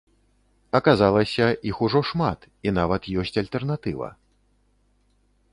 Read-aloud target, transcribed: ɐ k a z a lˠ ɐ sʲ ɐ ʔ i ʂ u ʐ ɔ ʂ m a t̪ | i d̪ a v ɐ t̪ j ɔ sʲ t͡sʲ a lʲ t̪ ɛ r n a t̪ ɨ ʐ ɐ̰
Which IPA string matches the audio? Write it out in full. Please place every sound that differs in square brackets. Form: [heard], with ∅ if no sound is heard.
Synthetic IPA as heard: ɐ k a z a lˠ ɐ sʲ ɐ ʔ i [x] u ʐ ɔ ʂ m a t̪ | i [n̪] a v ɐ t̪ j ɔ sʲ t͡sʲ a lʲ t̪ ɛ r n a t̪ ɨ [v] ɐ̰